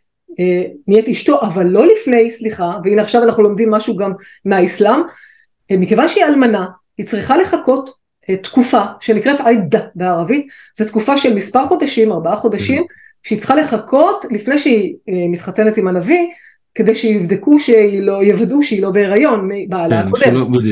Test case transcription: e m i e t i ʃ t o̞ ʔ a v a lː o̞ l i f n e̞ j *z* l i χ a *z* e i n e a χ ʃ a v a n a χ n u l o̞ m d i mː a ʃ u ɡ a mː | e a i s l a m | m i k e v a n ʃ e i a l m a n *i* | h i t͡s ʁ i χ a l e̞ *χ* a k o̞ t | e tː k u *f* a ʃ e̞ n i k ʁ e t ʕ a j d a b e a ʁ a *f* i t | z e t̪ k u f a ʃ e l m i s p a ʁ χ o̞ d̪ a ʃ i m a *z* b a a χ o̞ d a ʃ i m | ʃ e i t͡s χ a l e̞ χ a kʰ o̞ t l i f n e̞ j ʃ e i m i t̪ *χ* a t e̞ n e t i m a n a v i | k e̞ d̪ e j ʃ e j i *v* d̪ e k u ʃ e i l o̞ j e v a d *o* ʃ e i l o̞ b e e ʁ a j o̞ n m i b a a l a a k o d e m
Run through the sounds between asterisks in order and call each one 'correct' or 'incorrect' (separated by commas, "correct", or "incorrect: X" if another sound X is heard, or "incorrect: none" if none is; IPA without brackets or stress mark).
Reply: incorrect: s, incorrect: v, incorrect: a, correct, correct, incorrect: v, incorrect: ʁ, correct, correct, incorrect: u